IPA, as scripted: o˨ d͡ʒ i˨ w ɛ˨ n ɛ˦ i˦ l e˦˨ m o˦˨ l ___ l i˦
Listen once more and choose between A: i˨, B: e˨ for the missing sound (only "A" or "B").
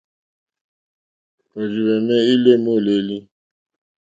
B